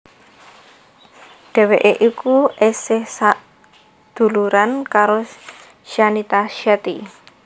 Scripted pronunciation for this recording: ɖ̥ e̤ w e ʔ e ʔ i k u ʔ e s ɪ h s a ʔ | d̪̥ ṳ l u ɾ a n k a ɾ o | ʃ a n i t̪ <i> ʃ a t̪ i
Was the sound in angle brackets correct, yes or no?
no